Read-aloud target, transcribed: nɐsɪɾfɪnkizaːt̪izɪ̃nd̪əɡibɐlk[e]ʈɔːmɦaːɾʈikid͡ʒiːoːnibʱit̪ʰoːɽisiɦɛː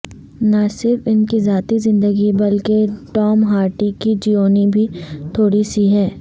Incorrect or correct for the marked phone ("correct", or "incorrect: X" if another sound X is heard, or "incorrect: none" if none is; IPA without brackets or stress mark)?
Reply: correct